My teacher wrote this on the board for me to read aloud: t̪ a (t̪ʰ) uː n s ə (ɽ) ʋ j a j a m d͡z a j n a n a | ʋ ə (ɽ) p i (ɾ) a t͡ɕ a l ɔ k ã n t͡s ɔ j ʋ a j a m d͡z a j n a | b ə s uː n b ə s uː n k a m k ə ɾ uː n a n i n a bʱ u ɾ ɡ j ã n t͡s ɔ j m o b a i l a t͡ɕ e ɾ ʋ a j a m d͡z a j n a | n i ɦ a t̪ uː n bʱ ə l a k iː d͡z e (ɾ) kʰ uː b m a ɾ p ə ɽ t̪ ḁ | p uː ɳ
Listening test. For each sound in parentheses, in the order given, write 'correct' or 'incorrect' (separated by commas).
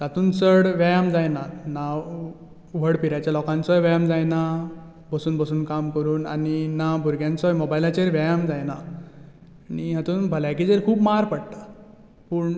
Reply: incorrect, correct, correct, correct, correct